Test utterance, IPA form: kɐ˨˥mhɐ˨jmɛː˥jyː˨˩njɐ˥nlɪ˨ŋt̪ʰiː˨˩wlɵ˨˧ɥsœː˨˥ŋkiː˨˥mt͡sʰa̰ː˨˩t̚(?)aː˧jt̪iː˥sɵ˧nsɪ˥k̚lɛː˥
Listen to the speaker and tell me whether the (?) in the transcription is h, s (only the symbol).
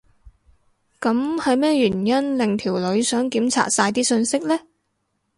s